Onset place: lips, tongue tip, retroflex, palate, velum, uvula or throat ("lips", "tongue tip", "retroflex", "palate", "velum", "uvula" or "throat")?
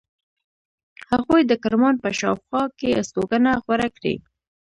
throat